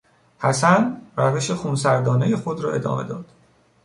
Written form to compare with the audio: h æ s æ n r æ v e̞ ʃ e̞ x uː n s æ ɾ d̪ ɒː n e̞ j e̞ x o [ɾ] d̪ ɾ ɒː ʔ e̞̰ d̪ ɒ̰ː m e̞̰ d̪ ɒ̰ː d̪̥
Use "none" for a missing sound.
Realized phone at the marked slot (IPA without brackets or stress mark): none